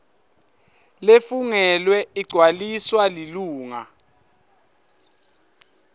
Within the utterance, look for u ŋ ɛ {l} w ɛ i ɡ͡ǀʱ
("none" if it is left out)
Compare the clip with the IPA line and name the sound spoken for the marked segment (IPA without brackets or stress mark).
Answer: l